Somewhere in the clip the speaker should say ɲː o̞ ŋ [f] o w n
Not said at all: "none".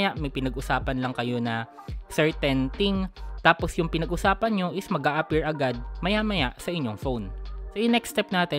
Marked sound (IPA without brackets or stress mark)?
f